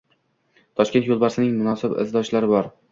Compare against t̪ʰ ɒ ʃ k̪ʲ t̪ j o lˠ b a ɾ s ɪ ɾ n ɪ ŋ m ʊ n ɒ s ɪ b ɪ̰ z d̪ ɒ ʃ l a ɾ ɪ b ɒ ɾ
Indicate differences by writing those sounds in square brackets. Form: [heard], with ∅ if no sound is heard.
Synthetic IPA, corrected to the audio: t̪ʰ ɒ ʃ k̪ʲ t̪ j o lˠ b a ɾ s ɪ [∅] n ɪ ŋ m ʊ n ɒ s ɪ b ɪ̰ z d̪ ɒ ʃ l a ɾ ɪ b ɒ ɾ